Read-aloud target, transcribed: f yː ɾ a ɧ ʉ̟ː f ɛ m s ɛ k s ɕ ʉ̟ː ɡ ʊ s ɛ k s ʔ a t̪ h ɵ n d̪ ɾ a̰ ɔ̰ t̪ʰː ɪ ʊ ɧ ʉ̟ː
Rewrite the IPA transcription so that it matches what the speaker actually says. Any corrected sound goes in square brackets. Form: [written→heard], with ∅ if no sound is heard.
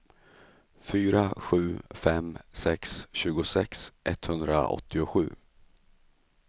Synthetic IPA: f yː ɾ a ɧ ʉ̟ː f ɛ m s ɛ k s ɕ ʉ̟ː ɡ ʊ s ɛ k s ʔ [a→ɛ] t̪ h ɵ n d̪ ɾ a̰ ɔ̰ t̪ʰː ɪ ʊ ɧ ʉ̟ː